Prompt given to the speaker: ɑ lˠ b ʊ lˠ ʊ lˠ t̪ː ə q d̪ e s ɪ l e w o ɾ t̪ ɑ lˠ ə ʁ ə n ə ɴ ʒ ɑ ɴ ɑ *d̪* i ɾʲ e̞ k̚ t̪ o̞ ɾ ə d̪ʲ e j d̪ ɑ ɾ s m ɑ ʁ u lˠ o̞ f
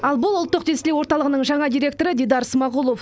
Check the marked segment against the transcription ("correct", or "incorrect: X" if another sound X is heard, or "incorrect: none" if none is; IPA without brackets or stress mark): correct